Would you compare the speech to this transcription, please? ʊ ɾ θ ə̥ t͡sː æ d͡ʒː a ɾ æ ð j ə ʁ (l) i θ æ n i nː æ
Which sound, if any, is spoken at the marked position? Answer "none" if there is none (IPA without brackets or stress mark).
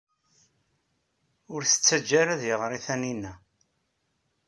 ɾ